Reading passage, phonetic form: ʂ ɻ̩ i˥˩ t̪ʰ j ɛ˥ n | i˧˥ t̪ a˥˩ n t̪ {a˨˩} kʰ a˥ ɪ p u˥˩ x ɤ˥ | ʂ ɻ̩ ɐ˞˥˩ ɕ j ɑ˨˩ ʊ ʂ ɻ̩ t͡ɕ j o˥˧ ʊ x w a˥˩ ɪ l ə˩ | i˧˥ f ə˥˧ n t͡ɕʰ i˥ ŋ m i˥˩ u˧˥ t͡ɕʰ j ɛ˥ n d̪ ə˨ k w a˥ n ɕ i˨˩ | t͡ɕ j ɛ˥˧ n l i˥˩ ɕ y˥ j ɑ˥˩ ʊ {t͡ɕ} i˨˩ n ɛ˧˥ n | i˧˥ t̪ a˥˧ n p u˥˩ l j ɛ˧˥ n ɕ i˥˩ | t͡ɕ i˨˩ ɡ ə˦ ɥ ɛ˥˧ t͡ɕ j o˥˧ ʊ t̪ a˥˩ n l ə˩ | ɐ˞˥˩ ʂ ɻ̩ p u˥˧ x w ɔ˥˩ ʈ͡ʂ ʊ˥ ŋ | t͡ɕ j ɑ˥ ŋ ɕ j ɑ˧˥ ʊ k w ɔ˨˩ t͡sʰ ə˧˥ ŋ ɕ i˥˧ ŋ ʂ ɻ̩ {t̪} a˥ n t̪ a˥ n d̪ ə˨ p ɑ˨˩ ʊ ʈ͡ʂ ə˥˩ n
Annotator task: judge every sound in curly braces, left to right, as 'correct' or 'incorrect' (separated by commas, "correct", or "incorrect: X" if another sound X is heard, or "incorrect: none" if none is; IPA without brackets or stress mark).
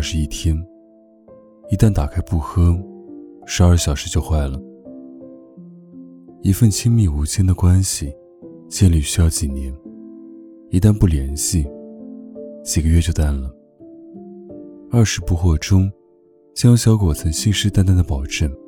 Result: correct, correct, correct